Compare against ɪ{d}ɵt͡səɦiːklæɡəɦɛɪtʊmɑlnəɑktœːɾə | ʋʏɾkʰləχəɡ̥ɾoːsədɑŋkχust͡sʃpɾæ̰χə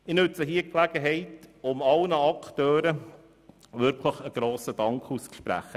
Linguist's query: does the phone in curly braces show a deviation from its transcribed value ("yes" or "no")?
yes